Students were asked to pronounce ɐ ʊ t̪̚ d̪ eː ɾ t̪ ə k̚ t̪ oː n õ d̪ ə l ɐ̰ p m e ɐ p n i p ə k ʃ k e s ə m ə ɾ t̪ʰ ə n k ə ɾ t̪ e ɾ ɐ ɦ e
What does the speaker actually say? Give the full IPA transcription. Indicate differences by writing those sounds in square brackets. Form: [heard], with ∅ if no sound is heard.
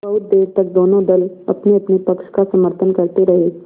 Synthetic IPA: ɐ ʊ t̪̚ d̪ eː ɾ t̪ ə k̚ [d̪] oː n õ d̪ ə l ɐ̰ p [n] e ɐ p n i p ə k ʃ k [a] s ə m ə ɾ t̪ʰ ə n k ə ɾ t̪ e ɾ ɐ ɦ e